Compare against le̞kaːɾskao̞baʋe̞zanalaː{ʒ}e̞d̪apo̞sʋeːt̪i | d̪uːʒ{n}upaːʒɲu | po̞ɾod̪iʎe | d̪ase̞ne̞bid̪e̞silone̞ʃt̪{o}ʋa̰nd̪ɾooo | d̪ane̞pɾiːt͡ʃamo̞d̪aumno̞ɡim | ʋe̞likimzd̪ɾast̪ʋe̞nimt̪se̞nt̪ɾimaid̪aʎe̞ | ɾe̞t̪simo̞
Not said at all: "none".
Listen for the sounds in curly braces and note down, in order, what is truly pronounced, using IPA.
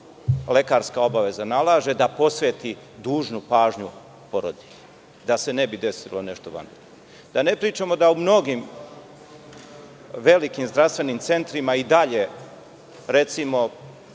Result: ʒ, n, o

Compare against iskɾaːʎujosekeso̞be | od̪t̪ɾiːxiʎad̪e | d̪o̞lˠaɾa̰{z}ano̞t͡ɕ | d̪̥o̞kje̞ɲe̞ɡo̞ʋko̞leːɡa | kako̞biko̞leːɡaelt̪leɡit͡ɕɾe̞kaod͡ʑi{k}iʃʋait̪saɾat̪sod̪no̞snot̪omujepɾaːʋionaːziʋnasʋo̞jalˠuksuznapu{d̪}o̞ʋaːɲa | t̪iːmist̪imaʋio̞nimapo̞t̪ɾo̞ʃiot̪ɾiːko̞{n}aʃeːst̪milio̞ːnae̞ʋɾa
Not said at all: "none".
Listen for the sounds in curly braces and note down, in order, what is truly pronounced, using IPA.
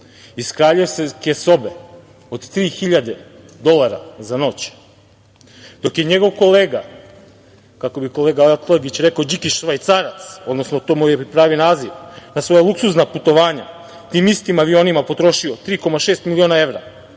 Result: z, k, t̪, m

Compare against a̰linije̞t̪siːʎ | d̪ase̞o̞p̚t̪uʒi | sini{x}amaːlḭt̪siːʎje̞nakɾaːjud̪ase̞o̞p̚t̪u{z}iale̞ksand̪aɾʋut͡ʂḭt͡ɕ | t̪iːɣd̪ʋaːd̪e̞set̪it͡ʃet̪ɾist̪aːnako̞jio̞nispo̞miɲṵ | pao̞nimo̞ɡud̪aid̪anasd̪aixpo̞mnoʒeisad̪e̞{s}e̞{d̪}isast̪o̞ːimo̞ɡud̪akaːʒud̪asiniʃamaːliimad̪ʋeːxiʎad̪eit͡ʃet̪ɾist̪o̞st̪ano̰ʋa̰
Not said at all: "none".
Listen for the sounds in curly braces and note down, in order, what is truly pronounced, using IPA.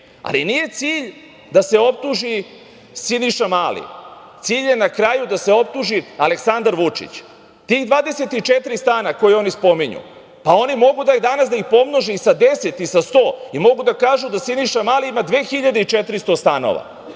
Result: ʃ, ʒ, s, t̪

